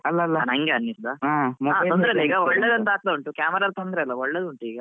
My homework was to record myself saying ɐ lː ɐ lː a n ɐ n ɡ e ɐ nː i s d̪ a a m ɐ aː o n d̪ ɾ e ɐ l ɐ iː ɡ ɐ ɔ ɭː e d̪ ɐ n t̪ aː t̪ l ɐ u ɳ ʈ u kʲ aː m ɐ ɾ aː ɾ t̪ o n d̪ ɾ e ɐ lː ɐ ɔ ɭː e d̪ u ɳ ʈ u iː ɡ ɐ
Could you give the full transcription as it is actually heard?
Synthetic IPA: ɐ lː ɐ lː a n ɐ ŋ ɡ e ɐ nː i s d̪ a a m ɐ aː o n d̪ ɾ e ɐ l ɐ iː ɡ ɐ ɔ ɭː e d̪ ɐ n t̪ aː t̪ l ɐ u ɳ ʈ u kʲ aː m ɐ ɾ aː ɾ t̪ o n d̪ ɾ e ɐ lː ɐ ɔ ɭː e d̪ u ɳ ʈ u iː ɡ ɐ